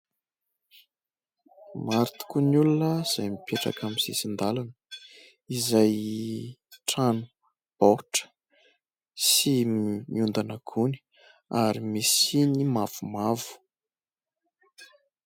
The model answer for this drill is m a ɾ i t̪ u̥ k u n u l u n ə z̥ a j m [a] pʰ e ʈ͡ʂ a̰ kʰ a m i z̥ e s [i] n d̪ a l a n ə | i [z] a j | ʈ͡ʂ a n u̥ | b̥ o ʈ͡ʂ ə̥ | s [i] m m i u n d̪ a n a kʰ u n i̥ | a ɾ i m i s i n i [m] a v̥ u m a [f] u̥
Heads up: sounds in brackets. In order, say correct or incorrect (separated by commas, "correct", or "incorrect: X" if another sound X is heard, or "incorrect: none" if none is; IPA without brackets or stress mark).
incorrect: i, correct, correct, correct, correct, incorrect: v